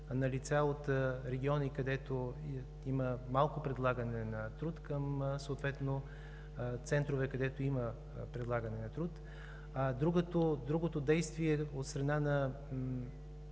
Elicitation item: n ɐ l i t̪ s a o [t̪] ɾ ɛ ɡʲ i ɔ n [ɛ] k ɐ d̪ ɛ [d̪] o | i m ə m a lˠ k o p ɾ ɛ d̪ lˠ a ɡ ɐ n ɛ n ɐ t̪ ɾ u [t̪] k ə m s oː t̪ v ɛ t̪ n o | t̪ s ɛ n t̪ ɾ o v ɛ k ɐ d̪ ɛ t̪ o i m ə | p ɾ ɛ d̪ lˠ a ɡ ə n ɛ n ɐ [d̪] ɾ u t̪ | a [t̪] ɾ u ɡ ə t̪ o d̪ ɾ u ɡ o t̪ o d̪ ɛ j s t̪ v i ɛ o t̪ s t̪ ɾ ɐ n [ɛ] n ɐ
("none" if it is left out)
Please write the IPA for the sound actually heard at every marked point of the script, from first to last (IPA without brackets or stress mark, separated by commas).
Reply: t̪, i, t̪, t̪, t̪, d̪, a